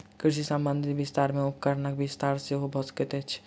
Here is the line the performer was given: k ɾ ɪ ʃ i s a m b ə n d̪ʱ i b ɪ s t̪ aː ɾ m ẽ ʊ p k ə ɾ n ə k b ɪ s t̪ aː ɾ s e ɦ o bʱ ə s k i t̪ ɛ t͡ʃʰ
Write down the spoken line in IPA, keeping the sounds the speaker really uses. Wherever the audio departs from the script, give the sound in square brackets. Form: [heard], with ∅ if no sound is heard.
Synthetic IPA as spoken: k ɾ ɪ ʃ i s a m b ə n d̪ʱ i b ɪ s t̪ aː ɾ m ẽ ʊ p k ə ɾ n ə k b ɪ s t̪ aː ɾ s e ɦ o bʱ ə s k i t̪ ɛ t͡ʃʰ